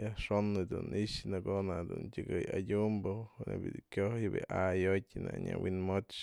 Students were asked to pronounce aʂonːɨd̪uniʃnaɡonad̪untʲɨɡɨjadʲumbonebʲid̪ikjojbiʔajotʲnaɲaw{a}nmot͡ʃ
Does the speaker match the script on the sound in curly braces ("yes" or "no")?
no